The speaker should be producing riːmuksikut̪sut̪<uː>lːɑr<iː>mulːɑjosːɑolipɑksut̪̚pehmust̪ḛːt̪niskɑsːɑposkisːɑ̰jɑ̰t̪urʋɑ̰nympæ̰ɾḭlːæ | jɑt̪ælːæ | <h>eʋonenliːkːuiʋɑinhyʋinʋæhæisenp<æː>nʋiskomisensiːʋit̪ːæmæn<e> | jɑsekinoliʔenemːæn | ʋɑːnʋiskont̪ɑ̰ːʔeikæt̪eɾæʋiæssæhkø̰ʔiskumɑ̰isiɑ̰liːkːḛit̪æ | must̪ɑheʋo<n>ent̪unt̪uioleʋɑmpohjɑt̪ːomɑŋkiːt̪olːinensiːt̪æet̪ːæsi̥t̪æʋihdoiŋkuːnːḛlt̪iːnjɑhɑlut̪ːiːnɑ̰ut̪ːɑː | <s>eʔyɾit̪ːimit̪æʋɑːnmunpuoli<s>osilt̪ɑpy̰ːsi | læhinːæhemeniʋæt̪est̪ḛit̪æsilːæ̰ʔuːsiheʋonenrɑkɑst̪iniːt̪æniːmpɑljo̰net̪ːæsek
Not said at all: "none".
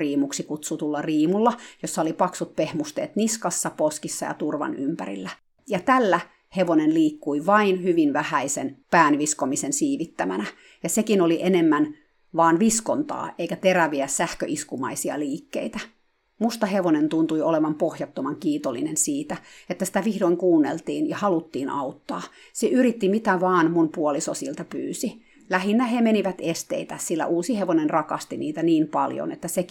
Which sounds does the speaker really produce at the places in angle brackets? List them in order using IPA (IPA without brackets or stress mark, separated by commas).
u, iː, h, æː, æ, n, s, s